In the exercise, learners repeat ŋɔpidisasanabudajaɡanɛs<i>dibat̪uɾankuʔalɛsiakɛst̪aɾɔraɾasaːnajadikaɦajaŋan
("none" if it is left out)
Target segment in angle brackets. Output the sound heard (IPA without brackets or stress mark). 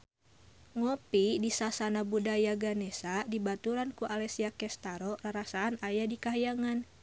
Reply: a